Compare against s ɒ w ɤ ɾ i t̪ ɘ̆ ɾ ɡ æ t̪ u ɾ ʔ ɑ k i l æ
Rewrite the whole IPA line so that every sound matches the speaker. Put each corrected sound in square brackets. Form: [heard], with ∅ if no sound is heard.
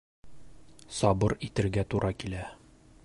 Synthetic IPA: s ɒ [b] ɤ ɾ i t̪ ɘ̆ ɾ ɡ æ t̪ u ɾ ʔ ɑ k i l æ